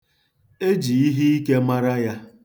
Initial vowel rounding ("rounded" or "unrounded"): unrounded